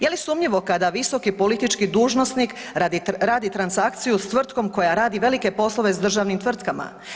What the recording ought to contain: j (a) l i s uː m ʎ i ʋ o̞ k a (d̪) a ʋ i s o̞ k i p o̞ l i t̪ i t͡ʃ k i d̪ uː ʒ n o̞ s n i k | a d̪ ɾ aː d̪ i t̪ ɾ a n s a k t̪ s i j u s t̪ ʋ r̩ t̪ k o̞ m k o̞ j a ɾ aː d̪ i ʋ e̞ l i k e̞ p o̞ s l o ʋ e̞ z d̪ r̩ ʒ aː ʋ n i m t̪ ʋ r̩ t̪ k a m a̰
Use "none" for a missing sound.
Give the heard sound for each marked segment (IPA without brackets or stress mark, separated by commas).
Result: e, d̪